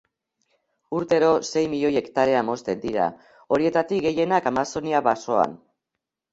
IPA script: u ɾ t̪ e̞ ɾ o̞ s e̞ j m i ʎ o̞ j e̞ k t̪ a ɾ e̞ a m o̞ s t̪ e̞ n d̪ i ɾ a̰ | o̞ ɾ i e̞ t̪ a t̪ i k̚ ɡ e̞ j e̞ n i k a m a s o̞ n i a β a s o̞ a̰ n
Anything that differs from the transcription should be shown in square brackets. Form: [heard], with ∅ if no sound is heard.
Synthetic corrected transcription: u ɾ t̪ e̞ ɾ o̞ s e̞ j m i ʎ o̞ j e̞ k t̪ a ɾ e̞ a m o̞ s t̪ e̞ n d̪ i ɾ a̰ | o̞ ɾ i e̞ t̪ a t̪ i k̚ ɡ e̞ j e̞ n [a] k a m a s o̞ n i a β a s o̞ a̰ n